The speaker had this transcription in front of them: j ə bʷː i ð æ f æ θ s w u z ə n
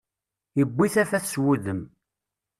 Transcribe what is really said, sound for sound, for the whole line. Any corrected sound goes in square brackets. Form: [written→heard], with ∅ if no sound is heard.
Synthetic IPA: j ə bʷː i [ð→θ] æ f æ θ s w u [z→ð] ə [n→m]